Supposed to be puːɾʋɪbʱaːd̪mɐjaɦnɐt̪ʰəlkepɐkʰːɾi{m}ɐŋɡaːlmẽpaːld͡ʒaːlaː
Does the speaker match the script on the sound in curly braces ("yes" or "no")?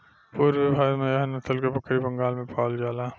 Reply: no